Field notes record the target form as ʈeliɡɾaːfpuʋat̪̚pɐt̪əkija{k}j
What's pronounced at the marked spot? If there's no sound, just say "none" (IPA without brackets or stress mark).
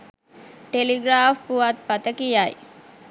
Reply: none